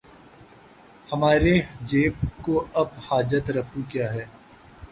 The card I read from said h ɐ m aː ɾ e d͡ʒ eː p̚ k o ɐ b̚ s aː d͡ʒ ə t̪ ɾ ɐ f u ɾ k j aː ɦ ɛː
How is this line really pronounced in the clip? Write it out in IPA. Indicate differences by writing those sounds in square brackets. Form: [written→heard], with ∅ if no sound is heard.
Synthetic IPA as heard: h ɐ m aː ɾ e d͡ʒ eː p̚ k o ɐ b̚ [s→h] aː d͡ʒ ə t̪ ɾ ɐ f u [ɾ→∅] k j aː ɦ ɛː